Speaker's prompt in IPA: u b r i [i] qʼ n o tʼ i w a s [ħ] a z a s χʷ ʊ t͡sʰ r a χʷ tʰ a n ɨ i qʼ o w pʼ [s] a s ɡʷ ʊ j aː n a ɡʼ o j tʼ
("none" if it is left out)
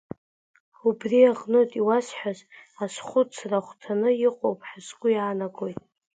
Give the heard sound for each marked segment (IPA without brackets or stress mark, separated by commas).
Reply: a, ħ, ħ